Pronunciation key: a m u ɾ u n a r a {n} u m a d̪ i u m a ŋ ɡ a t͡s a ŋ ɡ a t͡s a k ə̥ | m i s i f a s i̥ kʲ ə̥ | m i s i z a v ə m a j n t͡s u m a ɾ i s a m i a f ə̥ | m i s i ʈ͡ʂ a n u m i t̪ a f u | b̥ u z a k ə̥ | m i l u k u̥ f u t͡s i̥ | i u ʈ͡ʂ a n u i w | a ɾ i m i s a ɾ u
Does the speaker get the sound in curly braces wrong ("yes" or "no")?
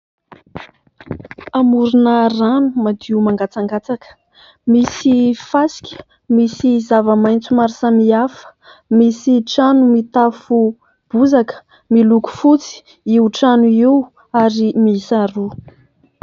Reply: no